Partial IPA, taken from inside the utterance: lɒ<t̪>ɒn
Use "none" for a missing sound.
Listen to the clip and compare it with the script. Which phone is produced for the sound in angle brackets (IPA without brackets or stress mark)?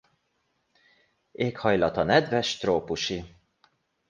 t̪